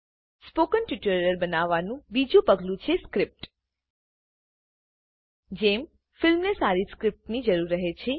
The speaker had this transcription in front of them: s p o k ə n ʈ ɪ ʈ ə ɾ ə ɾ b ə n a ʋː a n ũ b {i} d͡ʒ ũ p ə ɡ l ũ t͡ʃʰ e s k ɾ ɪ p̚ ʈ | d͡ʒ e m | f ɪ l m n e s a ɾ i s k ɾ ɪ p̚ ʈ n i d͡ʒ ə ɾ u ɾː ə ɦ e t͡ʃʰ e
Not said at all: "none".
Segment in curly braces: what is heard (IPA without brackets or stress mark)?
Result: i